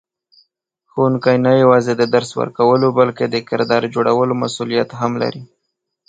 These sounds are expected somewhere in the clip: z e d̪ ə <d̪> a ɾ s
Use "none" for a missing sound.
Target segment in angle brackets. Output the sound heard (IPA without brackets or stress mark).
d̪